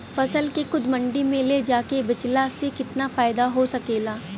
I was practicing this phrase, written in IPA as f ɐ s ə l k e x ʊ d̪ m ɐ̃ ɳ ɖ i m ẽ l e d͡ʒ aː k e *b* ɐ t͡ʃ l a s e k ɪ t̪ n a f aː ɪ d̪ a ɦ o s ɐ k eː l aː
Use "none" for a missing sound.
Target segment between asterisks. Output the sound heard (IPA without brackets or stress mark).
b